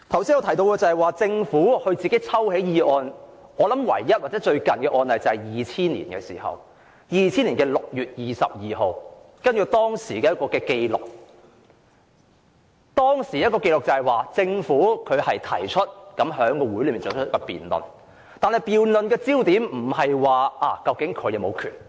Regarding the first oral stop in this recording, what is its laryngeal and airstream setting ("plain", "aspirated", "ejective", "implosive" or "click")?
aspirated